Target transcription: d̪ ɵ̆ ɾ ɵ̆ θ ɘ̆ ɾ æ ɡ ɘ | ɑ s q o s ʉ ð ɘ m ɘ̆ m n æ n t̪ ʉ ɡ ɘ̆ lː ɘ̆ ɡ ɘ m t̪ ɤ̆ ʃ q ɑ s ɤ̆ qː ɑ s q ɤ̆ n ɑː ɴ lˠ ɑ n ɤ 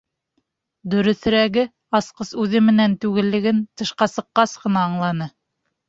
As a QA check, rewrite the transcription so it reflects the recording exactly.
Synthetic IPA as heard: d̪ ɵ̆ ɾ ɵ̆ θ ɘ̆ ɾ æ ɡ ɘ | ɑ s q ɤ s ʉ ð ɘ m ɘ̆ n æ n t̪ ʉ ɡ ɘ̆ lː ɘ̆ ɡ ɘ n t̪ ɤ̆ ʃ q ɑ s ɤ̆ qː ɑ s q ɤ̆ n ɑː ɴ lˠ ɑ n ɤ